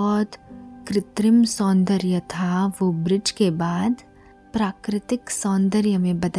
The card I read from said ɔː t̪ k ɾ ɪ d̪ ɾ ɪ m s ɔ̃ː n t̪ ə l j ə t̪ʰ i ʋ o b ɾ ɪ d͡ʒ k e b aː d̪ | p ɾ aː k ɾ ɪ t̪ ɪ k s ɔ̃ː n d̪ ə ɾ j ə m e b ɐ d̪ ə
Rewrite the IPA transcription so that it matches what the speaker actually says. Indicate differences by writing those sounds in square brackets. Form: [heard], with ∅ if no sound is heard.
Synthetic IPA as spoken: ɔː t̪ k ɾ ɪ [t̪] ɾ ɪ m s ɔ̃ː n [d̪] ə [ɾ] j ə t̪ʰ [a] ʋ o b ɾ ɪ d͡ʒ k e b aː d̪ | p ɾ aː k ɾ ɪ t̪ ɪ k s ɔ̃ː n d̪ ə ɾ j ə m [ẽ] b ɐ d̪ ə